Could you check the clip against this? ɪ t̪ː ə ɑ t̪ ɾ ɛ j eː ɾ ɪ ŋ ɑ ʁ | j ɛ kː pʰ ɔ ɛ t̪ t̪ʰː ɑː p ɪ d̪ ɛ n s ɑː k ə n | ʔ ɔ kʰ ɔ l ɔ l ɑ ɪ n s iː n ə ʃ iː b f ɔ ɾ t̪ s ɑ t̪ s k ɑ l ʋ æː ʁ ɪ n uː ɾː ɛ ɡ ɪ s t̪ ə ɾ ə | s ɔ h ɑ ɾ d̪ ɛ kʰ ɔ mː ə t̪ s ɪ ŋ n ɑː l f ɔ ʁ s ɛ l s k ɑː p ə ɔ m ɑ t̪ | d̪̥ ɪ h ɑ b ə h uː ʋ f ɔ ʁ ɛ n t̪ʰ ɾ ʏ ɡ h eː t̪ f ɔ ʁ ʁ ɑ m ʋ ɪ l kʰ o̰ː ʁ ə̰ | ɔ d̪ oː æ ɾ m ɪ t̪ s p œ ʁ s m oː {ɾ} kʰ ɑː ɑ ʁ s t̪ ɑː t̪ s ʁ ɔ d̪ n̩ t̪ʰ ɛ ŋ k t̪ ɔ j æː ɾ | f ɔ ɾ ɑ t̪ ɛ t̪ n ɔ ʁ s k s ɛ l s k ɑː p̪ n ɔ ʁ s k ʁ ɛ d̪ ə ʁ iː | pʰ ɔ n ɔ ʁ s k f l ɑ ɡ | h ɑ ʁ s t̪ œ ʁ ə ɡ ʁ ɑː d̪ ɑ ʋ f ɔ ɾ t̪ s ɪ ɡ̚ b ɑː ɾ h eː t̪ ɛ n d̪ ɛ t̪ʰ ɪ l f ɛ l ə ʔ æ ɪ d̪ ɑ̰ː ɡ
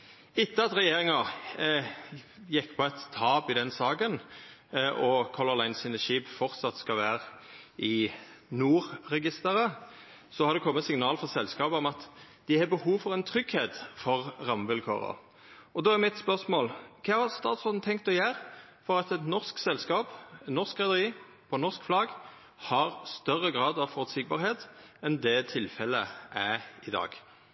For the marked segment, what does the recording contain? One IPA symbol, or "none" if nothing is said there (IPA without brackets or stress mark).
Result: l